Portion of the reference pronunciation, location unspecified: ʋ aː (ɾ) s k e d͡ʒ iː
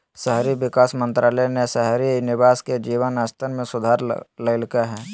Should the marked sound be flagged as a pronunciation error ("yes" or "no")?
yes